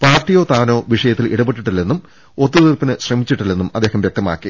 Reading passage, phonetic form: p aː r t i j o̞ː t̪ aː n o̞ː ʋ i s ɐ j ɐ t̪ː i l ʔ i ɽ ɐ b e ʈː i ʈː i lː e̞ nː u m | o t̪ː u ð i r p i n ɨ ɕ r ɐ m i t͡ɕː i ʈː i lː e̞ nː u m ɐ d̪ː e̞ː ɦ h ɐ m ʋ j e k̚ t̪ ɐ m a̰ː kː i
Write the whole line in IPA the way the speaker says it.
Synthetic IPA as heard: p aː r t i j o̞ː t̪ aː n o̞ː ʋ i ʂ ɐ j ɐ t̪ː i l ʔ i ɽ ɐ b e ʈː i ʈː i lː e̞ nː u m | o t̪ː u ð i r p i n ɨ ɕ r ɐ m i t͡ɕː i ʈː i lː e̞ nː u m ɐ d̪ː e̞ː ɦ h ɐ m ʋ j e k̚ t̪ ɐ m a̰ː kː i